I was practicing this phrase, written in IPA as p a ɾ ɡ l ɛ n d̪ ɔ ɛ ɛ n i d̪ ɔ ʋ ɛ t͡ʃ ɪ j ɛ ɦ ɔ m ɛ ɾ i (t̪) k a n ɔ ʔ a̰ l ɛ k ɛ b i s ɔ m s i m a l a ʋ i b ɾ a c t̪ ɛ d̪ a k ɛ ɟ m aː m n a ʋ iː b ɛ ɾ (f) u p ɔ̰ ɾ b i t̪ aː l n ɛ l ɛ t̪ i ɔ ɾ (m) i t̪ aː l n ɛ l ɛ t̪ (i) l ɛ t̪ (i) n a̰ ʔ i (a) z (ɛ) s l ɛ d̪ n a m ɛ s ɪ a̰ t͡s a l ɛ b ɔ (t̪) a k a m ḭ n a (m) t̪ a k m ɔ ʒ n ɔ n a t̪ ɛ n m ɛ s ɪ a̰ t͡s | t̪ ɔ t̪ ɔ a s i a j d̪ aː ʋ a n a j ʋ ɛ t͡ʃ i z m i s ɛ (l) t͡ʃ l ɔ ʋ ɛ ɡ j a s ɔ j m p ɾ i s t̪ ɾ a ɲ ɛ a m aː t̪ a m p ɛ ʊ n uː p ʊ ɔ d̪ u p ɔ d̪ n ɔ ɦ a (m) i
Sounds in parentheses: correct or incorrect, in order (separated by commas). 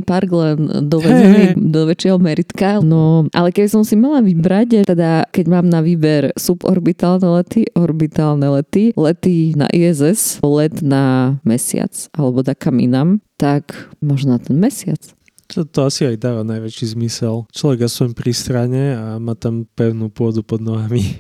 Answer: correct, incorrect, incorrect, correct, correct, incorrect, correct, incorrect, correct, correct, correct